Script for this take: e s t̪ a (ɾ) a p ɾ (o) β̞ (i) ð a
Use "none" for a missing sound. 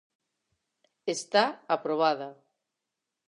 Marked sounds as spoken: none, o, a

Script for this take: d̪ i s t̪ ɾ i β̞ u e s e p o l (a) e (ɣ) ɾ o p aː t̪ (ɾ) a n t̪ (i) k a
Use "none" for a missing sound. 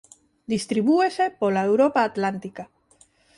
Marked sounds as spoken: a, w, l, i

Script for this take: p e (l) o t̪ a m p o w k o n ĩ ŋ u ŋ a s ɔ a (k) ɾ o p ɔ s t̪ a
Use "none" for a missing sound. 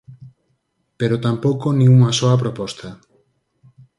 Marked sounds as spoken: ɾ, p

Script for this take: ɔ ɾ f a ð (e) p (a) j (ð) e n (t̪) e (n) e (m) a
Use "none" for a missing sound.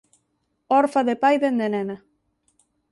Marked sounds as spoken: e, a, ð, d̪, n, n

